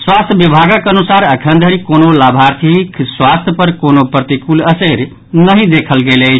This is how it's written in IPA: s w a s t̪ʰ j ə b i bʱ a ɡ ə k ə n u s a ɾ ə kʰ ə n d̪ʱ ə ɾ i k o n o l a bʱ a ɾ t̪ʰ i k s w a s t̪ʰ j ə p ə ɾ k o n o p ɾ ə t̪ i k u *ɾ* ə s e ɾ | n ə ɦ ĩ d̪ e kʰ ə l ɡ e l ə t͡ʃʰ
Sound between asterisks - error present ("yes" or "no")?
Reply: yes